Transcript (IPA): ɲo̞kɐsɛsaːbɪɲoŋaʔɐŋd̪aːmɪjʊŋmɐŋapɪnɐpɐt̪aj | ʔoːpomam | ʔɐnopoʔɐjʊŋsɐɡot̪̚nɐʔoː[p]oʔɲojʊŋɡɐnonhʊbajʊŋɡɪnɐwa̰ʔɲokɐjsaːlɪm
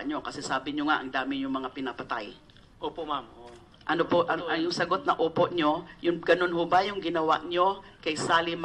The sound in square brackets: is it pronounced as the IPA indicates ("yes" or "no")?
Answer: yes